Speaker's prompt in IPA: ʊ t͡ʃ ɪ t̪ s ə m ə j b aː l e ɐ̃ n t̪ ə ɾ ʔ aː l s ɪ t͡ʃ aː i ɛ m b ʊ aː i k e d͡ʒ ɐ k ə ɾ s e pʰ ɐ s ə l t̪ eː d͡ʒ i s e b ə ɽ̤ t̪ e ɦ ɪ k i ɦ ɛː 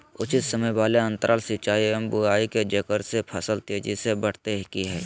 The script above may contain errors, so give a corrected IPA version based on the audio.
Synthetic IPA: ʊ t͡ʃ ɪ t̪ s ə m ə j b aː l e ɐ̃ n t̪ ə ɾ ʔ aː l s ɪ t͡ʃ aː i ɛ m b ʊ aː i k e d͡ʒ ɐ k ə ɾ s e pʰ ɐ s ə l t̪ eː d͡ʒ i s e b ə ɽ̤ t̪ e ɦ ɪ k i ɦ ɛː